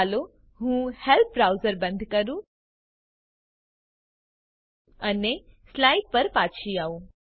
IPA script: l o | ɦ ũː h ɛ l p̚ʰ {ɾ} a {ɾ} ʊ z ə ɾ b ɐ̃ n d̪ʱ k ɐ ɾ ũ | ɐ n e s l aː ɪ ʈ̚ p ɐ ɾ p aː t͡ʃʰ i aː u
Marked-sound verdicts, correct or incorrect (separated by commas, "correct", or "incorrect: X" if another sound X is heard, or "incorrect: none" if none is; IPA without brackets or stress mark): correct, incorrect: none